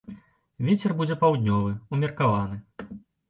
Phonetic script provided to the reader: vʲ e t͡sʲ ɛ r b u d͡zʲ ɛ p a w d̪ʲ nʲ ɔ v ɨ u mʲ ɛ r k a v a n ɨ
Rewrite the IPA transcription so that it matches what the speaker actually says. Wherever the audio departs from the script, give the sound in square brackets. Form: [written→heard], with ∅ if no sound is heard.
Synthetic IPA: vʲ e t͡sʲ ɛ r b u d͡zʲ ɛ p a w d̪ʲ nʲ ɔ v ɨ u mʲ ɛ r k a v a n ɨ